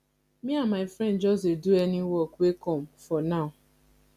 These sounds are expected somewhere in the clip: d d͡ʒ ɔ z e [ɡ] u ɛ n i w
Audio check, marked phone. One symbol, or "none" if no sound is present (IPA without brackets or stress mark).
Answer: d